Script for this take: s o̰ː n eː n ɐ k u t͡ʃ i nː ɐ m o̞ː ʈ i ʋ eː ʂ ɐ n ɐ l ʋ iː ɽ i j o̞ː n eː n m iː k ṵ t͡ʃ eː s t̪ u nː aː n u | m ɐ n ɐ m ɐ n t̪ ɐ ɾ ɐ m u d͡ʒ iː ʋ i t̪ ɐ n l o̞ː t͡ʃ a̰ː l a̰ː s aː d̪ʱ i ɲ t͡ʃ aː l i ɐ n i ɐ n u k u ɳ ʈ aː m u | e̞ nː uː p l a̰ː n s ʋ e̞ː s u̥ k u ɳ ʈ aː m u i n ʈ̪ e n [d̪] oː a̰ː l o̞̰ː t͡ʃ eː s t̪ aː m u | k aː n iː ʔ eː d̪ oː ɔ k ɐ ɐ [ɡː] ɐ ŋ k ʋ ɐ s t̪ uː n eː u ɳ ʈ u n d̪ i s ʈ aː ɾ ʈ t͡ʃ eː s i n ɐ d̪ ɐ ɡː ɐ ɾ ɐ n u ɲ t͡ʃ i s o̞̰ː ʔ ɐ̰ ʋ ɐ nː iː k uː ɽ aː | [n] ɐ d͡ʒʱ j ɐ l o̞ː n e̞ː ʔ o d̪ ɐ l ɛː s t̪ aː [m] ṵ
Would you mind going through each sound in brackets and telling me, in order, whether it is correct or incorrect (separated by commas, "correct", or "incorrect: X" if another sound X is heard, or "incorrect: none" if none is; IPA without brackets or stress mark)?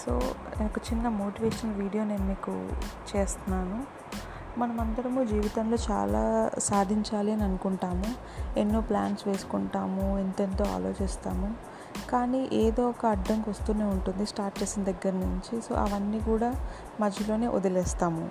incorrect: t̪, incorrect: ɖː, incorrect: m, correct